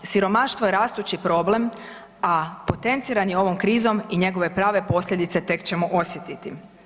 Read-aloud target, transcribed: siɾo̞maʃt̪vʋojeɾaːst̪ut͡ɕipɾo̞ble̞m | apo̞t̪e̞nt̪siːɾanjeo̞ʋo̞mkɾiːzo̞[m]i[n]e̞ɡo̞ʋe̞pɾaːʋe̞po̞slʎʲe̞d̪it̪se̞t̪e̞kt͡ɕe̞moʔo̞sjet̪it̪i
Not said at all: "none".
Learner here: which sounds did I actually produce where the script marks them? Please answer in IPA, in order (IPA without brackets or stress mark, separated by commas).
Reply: m, ɲ